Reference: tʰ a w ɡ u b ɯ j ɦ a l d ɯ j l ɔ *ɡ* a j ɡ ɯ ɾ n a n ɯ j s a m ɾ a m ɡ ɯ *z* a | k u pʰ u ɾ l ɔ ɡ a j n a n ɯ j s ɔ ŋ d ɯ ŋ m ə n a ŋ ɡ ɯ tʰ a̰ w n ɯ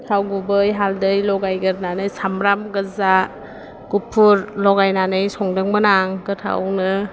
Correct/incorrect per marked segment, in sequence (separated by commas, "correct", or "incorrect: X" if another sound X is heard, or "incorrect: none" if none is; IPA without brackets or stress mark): correct, correct